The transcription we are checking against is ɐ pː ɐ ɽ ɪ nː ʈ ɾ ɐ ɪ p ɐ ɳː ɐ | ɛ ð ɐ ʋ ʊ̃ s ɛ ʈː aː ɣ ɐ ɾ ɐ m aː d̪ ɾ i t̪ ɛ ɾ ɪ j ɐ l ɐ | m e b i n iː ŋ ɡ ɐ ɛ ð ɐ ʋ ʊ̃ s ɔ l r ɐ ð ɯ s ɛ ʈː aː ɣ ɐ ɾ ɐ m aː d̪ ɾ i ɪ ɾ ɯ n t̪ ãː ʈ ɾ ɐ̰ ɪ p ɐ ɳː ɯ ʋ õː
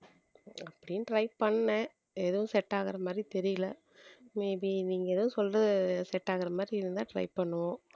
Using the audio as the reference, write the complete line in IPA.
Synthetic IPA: ɐ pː ɐ ɽ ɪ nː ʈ ɾ ɐ ɪ p ɐ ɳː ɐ | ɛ ð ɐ ʋ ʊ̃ s ɛ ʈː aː ɣ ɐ ɾ ɐ m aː d̪ ɾ i t̪ ɛ ɾ ɪ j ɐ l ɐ | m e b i n iː ŋ ɡ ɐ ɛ ð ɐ ʋ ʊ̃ s ɔ l r ɐ ð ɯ s ɛ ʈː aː ɣ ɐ ɾ ɐ m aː d̪ ɾ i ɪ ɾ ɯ n d̪ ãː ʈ ɾ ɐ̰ ɪ p ɐ ɳː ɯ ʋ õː